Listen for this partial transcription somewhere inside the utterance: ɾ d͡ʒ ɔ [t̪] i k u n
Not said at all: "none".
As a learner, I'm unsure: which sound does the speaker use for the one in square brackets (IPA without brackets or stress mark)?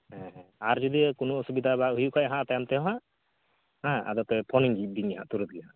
d̪